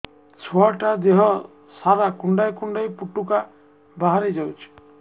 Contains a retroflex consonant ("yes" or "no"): yes